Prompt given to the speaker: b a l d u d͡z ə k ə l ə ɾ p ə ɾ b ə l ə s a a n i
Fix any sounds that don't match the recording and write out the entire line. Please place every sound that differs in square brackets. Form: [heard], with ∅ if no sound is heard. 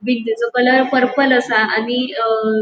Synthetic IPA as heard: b [i] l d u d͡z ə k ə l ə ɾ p ə ɾ [p] ə l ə s a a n i